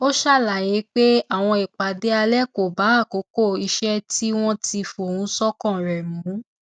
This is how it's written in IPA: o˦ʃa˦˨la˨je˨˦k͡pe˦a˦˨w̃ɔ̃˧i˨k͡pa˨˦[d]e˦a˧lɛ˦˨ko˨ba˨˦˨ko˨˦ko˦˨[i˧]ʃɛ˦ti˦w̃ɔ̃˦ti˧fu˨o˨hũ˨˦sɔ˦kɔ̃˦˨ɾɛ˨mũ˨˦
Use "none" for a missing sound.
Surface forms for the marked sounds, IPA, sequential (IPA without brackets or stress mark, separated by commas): d, i˧